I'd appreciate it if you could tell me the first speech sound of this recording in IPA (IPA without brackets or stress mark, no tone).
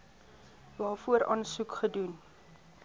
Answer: v